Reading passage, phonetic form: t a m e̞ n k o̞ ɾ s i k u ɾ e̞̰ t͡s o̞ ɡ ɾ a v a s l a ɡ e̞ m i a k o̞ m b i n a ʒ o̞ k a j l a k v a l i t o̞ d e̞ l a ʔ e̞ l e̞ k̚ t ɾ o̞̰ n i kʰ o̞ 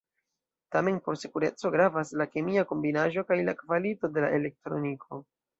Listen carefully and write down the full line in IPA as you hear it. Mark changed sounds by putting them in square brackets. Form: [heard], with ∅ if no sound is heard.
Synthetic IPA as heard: t a m e̞ n [p] o̞ ɾ s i k u ɾ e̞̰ t͡s o̞ ɡ ɾ a v a s l a [k] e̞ m i a k o̞ m b i n a ʒ o̞ k a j l a k v a l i t o̞ d e̞ l a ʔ e̞ l e̞ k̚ t ɾ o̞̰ n i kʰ o̞